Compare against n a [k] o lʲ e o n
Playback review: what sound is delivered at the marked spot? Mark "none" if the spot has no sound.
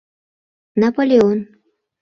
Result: p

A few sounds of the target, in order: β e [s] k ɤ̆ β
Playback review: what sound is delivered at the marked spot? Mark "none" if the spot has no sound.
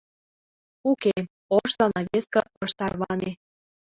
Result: s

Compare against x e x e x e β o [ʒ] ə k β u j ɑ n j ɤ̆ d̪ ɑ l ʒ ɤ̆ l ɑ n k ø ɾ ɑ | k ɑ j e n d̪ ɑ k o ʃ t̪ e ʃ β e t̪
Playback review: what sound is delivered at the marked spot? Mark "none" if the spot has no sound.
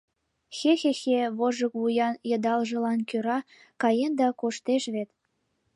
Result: ʒ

